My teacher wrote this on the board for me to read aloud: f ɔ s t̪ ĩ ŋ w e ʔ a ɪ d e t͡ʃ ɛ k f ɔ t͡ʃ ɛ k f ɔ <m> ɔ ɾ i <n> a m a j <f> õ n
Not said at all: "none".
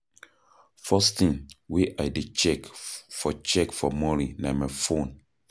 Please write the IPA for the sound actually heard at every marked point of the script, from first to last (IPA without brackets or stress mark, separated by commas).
m, n, f